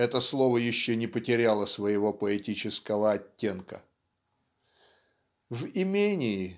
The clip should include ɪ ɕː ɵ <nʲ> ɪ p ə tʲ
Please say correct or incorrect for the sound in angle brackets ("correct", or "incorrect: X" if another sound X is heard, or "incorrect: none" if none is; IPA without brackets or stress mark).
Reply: correct